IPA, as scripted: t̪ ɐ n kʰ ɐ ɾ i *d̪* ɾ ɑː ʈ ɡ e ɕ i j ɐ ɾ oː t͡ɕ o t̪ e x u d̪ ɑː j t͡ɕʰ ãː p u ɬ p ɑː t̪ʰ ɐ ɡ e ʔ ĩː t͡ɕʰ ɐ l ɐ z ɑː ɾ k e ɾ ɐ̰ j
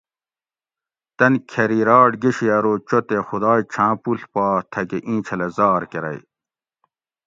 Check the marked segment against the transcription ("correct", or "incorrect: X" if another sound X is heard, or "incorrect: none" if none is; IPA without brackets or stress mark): incorrect: none